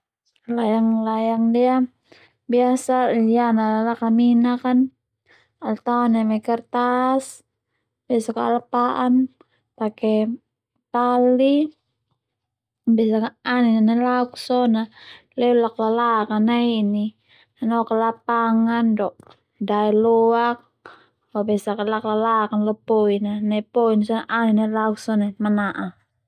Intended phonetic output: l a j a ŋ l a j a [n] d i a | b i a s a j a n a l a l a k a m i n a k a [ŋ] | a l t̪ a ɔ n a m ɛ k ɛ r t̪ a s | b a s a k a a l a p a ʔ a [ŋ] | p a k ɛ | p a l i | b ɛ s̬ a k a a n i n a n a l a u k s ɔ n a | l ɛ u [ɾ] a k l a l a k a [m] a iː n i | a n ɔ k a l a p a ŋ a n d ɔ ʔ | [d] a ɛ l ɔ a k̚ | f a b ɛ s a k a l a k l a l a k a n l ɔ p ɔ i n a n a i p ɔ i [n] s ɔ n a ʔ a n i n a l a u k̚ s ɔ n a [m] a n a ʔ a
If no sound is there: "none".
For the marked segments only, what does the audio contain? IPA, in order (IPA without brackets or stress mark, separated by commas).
ŋ, n, n, l, n, d, n, m